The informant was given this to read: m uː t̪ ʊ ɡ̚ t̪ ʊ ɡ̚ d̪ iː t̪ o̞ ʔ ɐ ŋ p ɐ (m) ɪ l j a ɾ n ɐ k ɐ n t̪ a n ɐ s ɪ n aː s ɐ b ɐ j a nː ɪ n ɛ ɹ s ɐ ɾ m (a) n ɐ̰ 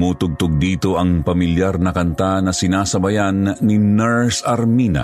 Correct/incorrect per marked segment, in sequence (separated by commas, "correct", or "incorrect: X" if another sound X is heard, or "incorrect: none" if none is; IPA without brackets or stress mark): correct, incorrect: i